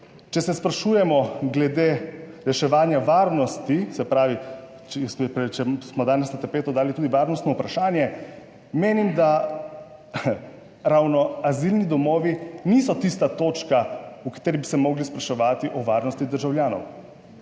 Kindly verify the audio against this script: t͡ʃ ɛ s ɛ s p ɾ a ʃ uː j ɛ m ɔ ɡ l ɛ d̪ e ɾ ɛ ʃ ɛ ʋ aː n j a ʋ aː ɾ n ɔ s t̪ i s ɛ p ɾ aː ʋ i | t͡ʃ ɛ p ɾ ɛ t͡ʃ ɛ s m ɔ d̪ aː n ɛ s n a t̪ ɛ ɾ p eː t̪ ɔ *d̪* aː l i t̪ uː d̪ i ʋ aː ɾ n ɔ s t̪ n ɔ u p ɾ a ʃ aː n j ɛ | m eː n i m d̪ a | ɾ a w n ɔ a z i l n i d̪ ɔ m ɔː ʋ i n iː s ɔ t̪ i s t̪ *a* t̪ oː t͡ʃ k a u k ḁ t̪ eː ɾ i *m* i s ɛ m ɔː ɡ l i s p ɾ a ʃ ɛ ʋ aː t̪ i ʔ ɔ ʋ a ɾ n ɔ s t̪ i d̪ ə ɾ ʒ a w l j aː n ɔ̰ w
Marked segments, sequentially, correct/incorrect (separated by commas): correct, correct, incorrect